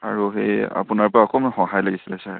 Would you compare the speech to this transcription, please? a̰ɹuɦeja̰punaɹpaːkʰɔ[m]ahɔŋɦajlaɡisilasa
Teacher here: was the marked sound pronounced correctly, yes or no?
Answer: yes